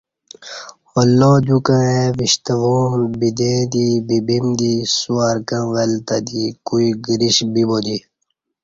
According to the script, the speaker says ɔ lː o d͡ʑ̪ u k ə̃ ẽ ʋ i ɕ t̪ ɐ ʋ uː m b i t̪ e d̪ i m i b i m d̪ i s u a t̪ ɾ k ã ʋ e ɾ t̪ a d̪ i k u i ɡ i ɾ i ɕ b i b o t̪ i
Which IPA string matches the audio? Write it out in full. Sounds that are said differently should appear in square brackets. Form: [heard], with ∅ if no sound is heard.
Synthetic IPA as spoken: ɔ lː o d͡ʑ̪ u k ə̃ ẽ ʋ i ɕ t̪ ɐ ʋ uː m b i [d̪] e d̪ i [b] i b i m d̪ i s u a [∅] ɾ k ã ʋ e [l] t̪ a d̪ i k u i ɡ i ɾ i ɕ b i b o [d̪] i